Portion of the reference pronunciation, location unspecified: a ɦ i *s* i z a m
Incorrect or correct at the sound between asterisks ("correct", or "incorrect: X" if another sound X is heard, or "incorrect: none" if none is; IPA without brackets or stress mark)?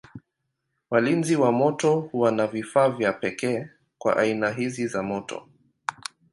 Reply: incorrect: z